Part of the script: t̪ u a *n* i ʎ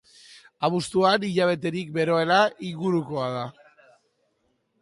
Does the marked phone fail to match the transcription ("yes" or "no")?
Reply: no